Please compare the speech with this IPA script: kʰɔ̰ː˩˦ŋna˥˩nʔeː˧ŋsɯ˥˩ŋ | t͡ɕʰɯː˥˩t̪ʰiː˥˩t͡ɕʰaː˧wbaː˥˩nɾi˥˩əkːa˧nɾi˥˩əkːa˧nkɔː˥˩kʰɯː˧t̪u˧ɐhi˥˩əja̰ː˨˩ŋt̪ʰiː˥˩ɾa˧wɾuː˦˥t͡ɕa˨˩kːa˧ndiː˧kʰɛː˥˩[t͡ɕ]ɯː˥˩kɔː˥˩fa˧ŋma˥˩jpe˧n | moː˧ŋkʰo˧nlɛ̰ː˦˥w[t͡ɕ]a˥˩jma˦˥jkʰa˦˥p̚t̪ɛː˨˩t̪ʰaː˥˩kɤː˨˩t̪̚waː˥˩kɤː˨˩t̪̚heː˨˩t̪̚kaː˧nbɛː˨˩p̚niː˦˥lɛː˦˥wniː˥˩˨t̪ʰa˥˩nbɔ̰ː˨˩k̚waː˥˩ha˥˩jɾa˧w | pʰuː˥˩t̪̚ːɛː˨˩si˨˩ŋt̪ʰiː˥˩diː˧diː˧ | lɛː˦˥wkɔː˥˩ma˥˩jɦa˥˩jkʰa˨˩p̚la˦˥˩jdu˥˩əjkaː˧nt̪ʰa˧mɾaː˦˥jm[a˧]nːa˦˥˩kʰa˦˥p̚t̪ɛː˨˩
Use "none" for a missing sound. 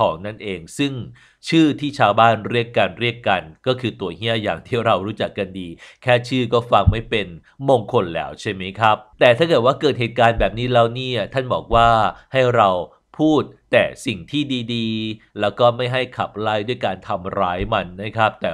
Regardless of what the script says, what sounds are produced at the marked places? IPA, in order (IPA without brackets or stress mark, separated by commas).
t͡ɕʰ, t͡ɕʰ, a˧